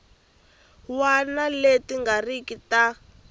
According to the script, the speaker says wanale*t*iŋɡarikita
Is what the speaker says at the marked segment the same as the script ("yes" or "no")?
yes